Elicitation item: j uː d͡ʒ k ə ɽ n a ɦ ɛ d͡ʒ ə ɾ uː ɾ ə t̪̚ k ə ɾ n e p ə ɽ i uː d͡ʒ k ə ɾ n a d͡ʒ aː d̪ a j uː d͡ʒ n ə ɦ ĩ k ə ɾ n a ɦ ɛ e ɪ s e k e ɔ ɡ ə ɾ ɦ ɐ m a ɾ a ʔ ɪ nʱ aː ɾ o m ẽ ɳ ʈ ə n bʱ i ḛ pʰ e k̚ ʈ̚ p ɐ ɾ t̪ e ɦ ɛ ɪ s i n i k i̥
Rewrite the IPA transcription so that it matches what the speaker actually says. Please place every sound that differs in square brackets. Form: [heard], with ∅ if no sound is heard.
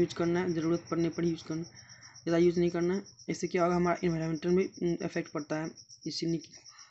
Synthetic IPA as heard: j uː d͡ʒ k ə [ɾ] n a ɦ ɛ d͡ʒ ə ɾ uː ɾ ə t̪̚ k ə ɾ n e p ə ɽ [j] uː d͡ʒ k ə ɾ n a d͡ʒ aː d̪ a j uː d͡ʒ n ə ɦ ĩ k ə ɾ n a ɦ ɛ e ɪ s e k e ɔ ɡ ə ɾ ɦ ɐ m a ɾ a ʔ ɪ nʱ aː ɾ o m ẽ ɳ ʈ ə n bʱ i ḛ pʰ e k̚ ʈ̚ p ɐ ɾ t̪ [a] ɦ ɛ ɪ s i n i k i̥